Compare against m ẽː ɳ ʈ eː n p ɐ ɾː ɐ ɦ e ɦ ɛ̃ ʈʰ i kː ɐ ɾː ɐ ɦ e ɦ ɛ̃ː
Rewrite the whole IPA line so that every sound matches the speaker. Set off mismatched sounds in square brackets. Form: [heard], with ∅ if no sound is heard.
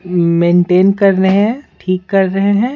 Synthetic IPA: m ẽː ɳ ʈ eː n [k] ɐ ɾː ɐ ɦ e ɦ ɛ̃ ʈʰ [iː] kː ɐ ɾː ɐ ɦ e ɦ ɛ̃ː